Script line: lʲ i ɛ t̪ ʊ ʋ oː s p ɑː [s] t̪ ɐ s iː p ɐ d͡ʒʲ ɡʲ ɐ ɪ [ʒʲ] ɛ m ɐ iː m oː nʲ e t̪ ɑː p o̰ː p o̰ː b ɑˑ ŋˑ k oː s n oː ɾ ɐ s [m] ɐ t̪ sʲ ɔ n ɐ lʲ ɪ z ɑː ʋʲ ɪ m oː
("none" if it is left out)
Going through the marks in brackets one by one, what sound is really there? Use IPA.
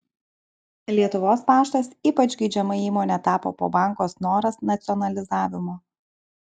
ʃ, d͡ʒʲ, n

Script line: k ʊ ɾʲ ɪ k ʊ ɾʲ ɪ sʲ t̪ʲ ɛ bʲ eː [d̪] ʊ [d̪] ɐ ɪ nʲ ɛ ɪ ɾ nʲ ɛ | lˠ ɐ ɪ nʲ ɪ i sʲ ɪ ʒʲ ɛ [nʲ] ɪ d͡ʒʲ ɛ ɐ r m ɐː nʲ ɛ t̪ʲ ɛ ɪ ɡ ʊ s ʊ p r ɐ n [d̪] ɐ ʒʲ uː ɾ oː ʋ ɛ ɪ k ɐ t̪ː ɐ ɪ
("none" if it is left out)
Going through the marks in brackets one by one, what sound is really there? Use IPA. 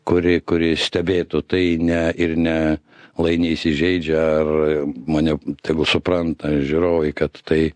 t̪, t̪, none, t̪

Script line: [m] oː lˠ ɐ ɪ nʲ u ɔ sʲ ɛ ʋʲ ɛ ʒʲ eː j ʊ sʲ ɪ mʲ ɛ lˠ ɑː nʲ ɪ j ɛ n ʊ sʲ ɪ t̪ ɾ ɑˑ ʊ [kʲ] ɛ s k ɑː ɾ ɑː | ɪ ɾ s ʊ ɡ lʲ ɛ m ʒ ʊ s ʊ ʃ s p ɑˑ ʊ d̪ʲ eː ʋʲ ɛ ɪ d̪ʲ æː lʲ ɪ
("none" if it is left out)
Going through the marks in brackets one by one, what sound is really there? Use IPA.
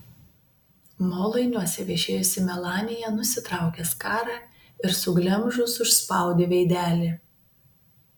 m, kʲ

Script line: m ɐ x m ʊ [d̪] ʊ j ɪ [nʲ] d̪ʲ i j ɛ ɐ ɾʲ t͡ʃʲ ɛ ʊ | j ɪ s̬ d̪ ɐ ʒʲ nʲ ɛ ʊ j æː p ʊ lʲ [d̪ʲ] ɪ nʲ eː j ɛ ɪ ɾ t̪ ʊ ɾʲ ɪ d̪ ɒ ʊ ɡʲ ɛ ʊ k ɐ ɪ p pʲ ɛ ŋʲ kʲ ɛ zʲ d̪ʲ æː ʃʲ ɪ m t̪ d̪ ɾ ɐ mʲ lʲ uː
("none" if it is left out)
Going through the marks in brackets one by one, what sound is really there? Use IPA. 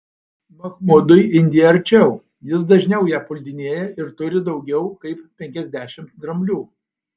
d̪, nʲ, d̪ʲ

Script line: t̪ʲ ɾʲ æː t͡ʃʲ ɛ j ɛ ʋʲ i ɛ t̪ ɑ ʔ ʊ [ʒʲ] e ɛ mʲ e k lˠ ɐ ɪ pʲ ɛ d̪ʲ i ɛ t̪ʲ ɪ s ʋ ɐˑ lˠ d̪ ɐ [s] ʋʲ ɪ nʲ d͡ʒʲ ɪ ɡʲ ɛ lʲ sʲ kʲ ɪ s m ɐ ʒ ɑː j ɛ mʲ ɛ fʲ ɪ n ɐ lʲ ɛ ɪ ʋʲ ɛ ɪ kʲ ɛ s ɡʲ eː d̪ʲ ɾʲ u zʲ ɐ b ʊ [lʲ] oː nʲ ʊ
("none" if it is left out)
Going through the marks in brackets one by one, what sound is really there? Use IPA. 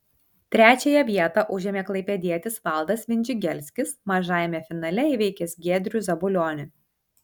ʒʲ, s, lʲ

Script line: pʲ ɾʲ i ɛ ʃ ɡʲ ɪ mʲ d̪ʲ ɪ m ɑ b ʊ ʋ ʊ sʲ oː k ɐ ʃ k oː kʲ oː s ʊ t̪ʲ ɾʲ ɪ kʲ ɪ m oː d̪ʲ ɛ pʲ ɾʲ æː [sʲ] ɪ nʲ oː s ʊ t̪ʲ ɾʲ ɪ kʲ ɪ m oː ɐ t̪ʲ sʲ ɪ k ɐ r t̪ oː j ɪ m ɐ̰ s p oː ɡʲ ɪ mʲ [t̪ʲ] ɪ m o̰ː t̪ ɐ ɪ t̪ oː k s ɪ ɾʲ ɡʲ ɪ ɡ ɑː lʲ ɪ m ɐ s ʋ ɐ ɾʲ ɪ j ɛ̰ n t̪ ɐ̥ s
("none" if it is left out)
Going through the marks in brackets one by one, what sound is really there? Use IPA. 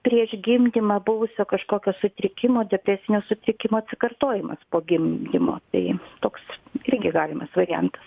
sʲ, d̪ʲ

